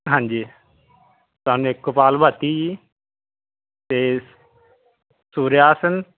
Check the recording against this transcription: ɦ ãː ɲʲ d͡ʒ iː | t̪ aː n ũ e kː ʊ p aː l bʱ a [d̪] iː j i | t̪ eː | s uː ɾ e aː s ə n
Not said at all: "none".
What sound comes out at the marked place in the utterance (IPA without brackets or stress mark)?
t̪